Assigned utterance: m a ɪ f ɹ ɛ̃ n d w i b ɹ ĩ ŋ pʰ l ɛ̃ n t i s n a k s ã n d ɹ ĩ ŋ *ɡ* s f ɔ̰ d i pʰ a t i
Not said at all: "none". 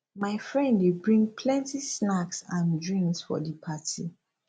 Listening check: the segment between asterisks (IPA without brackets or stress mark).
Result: k